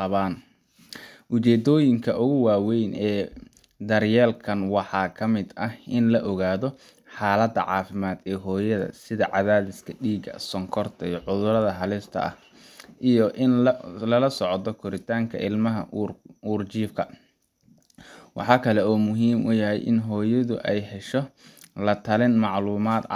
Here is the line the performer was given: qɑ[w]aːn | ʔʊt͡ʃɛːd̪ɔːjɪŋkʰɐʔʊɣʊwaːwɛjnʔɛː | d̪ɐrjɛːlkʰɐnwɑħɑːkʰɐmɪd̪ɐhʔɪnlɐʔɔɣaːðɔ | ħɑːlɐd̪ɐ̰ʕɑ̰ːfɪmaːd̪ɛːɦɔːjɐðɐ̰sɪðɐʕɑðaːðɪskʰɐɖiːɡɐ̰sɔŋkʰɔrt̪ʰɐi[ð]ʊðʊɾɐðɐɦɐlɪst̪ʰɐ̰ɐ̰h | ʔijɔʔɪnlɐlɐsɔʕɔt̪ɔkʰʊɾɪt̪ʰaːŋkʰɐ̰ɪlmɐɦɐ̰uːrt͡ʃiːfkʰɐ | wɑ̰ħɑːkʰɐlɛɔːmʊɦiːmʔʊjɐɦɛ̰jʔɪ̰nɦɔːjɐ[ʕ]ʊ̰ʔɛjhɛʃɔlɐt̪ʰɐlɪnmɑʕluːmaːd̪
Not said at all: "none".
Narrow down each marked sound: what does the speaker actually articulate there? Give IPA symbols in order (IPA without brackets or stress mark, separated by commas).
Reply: β, ʕ, ð